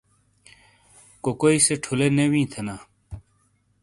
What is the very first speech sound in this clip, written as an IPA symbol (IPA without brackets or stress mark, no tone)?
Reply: k